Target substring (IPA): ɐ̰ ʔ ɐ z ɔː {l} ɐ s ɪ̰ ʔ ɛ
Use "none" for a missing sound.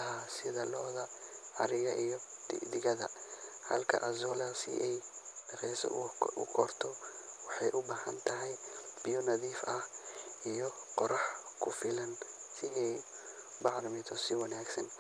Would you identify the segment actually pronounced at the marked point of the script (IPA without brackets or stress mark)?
l